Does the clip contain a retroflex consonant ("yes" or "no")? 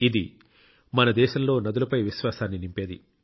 no